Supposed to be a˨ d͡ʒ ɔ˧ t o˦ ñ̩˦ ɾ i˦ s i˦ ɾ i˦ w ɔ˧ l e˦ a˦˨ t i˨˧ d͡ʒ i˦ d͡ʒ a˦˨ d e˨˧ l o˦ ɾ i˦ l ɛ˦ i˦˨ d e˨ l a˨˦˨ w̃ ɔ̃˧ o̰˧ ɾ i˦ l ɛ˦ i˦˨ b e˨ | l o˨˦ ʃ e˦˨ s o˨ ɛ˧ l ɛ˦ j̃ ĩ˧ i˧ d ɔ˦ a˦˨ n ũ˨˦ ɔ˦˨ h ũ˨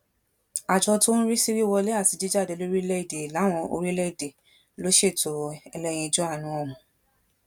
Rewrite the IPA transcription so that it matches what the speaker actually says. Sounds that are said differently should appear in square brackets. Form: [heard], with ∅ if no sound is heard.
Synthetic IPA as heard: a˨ d͡ʒ ɔ˧ t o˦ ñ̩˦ ɾ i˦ s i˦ ɾ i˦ w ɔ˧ l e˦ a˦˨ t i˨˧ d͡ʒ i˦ d͡ʒ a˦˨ d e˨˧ l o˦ ɾ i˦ l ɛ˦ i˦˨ d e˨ l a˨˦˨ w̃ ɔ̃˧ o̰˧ ɾ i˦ l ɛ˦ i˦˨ [d] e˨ | l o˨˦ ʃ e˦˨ [t] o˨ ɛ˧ l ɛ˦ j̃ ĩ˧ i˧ [d͡ʒ] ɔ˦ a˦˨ n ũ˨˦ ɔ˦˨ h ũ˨